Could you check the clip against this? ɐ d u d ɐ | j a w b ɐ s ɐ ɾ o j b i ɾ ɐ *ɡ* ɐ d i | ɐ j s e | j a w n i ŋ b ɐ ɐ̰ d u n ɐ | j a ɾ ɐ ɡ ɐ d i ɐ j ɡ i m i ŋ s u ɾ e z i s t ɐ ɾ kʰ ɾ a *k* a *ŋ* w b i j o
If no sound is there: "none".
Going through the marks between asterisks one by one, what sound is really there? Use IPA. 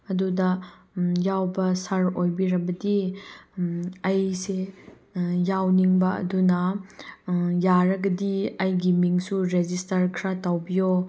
b, t, none

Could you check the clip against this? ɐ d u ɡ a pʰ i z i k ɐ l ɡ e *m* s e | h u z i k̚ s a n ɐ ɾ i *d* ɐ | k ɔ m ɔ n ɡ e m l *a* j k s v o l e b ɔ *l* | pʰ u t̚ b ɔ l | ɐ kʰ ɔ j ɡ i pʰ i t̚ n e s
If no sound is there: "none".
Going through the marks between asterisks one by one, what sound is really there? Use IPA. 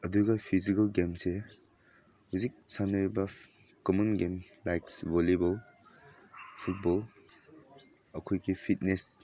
m, b, a, l

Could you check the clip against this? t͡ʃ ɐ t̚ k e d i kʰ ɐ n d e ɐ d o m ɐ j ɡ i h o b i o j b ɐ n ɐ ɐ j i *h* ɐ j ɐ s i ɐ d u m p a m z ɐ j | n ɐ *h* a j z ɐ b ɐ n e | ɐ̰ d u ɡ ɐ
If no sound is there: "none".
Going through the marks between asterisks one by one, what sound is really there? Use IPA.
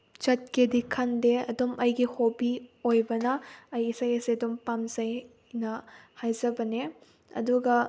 s, h

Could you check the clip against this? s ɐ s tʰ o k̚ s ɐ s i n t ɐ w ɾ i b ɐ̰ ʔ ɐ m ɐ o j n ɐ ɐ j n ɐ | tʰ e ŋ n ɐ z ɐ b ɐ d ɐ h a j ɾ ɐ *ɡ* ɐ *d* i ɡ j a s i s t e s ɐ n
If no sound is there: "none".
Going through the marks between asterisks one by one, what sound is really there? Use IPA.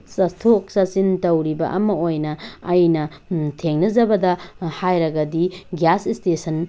ɡ, d

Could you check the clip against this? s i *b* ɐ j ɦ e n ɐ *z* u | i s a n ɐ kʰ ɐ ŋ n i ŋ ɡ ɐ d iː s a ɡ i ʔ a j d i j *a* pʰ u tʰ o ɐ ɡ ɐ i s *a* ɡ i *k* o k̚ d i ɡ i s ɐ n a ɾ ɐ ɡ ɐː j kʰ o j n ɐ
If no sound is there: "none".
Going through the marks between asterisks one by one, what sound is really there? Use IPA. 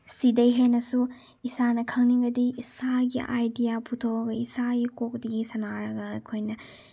d, s, a, a, k

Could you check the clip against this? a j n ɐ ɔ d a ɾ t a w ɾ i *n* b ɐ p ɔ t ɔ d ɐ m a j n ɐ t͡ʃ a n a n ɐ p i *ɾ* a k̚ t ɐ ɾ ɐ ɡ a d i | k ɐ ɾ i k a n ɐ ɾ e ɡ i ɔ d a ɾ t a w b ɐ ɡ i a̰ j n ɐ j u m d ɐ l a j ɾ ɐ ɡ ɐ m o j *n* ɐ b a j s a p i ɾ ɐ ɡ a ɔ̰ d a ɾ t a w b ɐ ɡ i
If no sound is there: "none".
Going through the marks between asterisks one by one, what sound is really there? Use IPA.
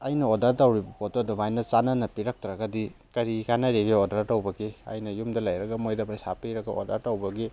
none, ɾ, d

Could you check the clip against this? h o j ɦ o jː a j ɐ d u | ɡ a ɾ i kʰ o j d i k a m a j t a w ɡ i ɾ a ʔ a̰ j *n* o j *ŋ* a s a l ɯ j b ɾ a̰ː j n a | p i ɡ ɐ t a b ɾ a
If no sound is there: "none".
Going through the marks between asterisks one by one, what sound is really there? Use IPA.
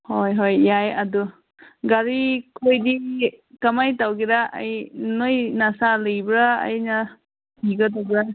n, n

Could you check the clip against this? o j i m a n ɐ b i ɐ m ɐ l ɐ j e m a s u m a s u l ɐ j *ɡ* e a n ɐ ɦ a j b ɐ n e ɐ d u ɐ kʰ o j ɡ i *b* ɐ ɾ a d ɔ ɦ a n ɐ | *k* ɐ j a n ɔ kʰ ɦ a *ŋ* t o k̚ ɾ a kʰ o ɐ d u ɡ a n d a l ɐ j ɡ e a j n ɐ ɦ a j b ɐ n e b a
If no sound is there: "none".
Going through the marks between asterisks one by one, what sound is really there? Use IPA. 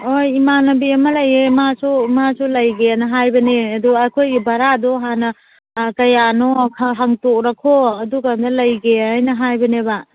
ɡ, b, k, ŋ

